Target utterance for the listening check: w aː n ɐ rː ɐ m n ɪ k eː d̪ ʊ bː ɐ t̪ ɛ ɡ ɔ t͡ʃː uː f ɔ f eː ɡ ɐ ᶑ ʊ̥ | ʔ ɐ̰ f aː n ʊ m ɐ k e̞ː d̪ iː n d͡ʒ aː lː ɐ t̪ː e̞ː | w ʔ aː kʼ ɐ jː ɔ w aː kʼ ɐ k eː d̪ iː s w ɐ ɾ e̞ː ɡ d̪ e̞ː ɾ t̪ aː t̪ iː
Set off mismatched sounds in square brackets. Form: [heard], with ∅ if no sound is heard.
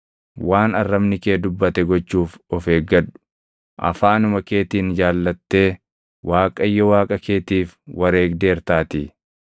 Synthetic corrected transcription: w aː n ɐ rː ɐ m n ɪ k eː d̪ ʊ bː ɐ t̪ ɛ ɡ ɔ t͡ʃː uː f ɔ f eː ɡ ɐ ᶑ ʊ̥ | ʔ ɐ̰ f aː n ʊ m ɐ k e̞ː [t̪] iː n d͡ʒ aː lː ɐ t̪ː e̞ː | w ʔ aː kʼ ɐ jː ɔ w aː kʼ ɐ k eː [t̪] iː [f] w ɐ ɾ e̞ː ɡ d̪ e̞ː ɾ t̪ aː t̪ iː